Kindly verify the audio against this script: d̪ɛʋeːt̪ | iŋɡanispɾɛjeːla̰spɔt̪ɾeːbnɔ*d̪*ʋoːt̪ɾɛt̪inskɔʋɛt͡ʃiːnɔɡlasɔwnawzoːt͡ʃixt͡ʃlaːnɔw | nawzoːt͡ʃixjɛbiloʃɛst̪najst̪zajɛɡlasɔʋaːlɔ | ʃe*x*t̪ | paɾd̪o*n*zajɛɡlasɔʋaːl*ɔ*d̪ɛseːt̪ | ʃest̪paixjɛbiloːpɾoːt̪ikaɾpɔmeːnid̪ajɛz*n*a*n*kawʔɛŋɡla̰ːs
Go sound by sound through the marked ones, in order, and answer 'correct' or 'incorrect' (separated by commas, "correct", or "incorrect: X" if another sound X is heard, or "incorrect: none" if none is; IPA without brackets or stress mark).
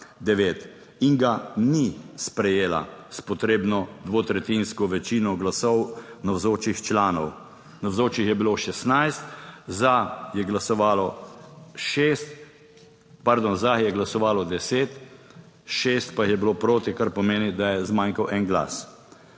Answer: correct, incorrect: s, correct, correct, incorrect: m, incorrect: ŋ